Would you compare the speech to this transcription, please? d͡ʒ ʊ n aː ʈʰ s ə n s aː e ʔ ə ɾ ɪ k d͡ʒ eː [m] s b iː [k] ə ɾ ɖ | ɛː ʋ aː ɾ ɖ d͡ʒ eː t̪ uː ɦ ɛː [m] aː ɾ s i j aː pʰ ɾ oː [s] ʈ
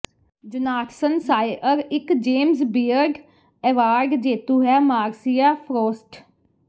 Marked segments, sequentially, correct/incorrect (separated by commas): correct, incorrect, correct, correct